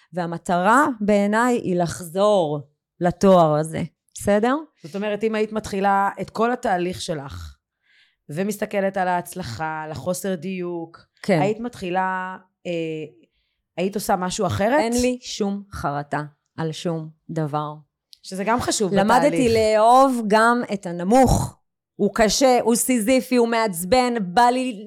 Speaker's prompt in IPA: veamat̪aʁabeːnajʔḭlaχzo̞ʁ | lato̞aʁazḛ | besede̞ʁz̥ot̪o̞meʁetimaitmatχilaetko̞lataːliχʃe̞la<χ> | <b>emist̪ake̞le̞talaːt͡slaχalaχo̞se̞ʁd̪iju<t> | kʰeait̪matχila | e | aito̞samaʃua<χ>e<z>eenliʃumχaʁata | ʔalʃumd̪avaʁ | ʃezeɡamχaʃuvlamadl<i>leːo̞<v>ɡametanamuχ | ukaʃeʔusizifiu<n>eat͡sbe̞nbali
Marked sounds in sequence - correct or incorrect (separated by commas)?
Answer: correct, incorrect, incorrect, correct, incorrect, correct, correct, incorrect